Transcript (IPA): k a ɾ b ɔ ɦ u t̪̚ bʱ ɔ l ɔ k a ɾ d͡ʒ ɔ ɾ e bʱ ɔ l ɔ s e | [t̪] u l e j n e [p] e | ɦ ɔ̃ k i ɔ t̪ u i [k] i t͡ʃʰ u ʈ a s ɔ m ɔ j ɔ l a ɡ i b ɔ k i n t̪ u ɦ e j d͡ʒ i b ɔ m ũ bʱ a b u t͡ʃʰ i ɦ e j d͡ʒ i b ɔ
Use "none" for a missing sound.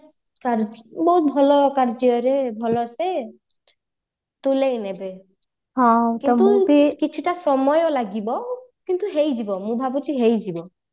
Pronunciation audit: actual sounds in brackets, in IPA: t̪, b, k

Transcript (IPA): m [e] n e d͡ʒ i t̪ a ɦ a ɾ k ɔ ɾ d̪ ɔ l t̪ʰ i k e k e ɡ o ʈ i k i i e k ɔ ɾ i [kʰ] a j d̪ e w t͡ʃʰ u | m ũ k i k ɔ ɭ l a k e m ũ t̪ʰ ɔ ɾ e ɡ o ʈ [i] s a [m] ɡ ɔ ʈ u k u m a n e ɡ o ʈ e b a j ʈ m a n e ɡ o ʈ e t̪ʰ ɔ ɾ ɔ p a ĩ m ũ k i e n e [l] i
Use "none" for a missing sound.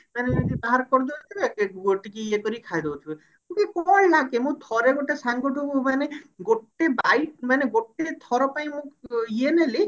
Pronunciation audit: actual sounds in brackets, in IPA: a, kʰ, e, ŋ, l

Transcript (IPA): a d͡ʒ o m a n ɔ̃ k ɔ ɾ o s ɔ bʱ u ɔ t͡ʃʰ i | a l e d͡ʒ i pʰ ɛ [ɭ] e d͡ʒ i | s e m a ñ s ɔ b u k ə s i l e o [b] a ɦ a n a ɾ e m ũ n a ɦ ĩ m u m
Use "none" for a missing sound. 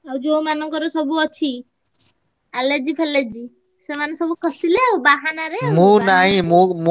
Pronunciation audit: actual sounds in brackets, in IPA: l, b

